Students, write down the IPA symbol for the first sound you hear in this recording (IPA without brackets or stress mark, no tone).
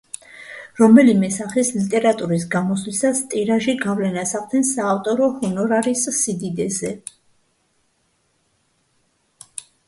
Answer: ɾ